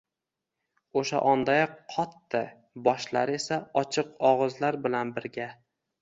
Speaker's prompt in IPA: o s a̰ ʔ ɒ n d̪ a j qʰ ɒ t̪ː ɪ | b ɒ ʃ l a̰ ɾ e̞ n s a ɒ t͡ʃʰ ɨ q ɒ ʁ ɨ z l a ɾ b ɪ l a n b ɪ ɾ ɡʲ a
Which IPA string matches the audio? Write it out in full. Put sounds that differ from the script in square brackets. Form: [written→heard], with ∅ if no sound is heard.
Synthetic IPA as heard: o [s→ʃ] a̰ ʔ ɒ n d̪ a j qʰ ɒ t̪ː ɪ | b ɒ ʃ l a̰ ɾ e̞ [n→∅] s a ɒ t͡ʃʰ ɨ q ɒ ʁ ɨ z l a ɾ b ɪ l a n b ɪ ɾ ɡʲ a